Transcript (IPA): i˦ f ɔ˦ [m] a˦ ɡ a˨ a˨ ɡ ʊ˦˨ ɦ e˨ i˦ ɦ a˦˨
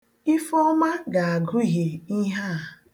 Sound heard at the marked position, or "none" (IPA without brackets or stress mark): m